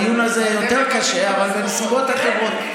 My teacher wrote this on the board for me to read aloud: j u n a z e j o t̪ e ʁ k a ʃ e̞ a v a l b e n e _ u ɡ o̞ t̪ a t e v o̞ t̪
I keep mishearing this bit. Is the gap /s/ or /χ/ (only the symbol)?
s